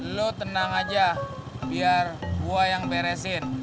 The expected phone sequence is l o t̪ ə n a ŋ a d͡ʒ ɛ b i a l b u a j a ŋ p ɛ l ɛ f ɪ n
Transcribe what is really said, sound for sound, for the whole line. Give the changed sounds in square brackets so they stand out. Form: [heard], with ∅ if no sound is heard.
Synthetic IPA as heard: l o t̪ ə n a ŋ a d͡ʒ [a] b i a [r] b u a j a ŋ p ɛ [ɾ] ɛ [s] ɪ n